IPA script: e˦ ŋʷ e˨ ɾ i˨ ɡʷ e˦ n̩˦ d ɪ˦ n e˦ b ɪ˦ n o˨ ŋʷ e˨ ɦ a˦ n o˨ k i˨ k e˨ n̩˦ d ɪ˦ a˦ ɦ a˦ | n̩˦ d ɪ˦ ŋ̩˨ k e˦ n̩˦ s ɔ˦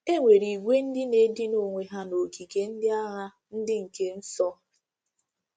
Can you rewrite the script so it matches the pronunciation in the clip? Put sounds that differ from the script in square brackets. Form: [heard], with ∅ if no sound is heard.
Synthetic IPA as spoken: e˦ ŋʷ e˨ ɾ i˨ ɡʷ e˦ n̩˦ d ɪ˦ n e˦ [d] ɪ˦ n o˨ ŋʷ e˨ ɦ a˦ n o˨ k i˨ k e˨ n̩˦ d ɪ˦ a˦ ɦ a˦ | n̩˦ d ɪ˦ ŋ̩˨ k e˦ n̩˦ s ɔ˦